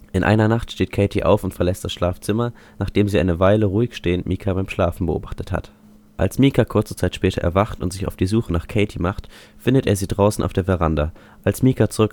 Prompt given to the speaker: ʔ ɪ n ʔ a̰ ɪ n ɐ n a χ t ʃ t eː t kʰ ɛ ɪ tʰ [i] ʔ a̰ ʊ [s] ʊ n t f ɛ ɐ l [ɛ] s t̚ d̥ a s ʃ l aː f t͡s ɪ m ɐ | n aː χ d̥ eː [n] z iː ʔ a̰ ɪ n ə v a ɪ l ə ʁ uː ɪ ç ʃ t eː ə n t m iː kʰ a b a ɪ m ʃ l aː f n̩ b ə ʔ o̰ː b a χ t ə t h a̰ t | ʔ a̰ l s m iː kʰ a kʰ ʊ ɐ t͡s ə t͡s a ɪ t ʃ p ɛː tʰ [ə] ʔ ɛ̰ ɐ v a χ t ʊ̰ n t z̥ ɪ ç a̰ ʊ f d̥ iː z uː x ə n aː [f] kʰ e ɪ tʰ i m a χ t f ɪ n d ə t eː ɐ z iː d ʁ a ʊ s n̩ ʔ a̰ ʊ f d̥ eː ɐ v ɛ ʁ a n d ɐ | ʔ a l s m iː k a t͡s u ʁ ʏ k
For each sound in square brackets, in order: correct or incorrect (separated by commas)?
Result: correct, incorrect, correct, incorrect, incorrect, incorrect